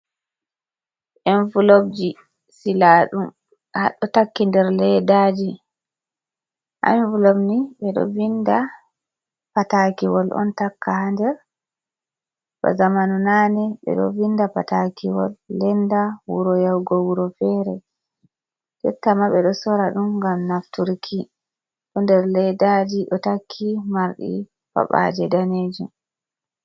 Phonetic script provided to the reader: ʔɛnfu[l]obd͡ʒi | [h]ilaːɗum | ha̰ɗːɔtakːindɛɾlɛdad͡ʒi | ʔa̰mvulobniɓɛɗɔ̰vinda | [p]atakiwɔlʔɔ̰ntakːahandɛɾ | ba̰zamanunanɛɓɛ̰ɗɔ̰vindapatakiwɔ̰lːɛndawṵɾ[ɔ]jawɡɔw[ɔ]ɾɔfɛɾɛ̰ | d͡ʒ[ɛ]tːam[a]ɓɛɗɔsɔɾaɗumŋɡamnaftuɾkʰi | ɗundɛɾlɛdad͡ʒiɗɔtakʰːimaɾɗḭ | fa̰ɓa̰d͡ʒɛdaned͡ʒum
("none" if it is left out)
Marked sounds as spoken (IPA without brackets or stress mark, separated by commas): l, s, p, ɔ, u, ɛ, a